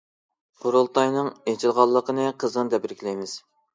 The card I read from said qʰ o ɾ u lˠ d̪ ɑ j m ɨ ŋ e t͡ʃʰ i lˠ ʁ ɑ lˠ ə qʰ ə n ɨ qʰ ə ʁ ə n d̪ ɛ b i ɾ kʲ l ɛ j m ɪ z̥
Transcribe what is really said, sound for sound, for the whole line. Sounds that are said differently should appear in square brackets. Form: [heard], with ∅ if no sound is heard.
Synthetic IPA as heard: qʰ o ɾ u lˠ [t̪] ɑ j [n] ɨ ŋ e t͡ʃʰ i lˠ ʁ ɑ [lˠː] ə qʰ ə n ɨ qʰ ə [z] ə n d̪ ɛ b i ɾ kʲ l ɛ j m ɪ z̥